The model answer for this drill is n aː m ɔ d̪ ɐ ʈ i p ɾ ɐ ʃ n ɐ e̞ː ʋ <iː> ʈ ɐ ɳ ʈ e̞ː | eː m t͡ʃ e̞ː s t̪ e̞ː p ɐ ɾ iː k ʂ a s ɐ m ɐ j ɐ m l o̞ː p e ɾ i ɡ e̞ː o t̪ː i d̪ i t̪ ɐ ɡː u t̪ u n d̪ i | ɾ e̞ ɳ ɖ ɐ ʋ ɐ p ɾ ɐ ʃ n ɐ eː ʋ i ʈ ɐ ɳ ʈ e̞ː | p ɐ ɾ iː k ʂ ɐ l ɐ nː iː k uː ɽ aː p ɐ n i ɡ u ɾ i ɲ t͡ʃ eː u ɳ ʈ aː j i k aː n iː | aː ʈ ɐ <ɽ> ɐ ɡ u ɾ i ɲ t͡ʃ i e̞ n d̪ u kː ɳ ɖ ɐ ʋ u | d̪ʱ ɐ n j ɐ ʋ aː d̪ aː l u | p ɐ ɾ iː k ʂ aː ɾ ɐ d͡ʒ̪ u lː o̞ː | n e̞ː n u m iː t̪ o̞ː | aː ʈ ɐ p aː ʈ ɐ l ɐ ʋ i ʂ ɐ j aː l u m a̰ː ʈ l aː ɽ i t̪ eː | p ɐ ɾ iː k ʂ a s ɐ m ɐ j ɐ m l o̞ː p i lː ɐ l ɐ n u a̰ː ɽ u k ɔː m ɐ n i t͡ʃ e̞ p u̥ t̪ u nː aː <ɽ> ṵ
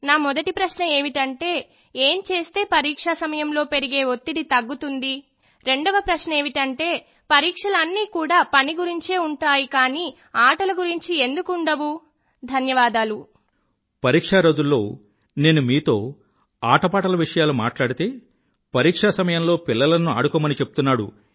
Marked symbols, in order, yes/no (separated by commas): no, no, yes